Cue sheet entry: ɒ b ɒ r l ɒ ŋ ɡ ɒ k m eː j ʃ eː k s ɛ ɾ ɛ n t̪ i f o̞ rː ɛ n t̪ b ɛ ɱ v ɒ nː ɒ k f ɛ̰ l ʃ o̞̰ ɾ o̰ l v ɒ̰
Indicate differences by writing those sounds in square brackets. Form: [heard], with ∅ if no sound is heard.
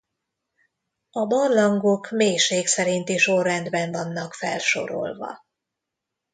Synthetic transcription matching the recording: ɒ b ɒ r l ɒ ŋ ɡ [o] k m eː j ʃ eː k s ɛ ɾ [i] n t̪ i [ʃ] o̞ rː ɛ n [d̪] b ɛ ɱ v ɒ nː ɒ k f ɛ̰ l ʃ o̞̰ ɾ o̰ l v ɒ̰